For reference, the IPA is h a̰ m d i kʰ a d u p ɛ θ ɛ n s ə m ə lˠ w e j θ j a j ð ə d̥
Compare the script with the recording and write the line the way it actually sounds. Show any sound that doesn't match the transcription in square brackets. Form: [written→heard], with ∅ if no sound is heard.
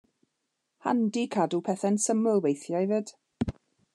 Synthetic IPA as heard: h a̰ [m→n] d i kʰ a d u [p→pʰ] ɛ θ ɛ n s ə m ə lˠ w e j θ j a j [ð→v] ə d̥